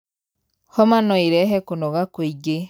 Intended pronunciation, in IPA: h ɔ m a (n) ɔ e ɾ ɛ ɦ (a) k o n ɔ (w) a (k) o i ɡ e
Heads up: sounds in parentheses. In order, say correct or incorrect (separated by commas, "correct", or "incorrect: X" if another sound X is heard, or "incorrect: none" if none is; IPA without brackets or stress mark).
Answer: correct, incorrect: ɛ, incorrect: ɣ, correct